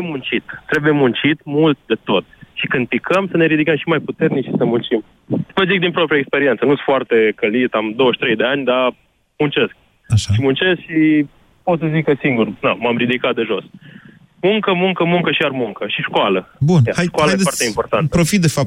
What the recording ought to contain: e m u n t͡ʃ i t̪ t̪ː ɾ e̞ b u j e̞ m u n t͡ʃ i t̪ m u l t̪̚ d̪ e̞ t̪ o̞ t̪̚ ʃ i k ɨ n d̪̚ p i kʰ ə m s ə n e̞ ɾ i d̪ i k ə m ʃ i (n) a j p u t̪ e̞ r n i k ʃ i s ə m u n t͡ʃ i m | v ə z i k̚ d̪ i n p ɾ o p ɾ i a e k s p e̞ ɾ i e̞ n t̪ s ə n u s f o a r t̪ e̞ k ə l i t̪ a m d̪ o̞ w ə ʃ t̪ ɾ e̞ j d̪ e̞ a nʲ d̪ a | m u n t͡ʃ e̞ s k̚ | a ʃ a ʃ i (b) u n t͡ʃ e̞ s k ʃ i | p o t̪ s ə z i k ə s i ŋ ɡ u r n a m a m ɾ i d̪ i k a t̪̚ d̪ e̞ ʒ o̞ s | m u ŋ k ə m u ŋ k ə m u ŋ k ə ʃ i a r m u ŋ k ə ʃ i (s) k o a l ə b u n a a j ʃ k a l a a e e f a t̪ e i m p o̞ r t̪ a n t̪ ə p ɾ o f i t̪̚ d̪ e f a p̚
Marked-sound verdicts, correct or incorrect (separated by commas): incorrect, incorrect, incorrect